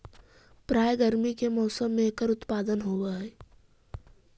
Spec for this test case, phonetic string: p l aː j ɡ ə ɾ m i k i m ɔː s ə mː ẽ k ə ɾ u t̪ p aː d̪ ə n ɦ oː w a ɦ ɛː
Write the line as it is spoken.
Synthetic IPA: p ɾ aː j ɡ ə ɾ m i k e m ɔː s ə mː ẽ k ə ɾ ʊ t̪ p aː d̪ ə n ɦ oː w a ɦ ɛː